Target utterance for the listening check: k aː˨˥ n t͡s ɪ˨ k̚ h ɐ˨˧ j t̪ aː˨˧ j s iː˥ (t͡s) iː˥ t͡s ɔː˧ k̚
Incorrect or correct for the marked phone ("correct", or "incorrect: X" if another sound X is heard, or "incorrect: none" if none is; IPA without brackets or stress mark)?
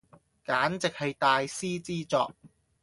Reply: correct